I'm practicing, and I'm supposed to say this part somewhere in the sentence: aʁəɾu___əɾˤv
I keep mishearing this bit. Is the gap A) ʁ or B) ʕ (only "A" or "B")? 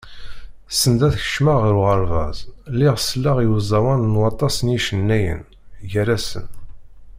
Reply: A